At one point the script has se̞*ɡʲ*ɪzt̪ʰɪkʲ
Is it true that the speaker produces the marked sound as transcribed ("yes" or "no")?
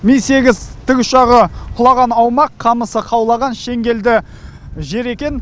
yes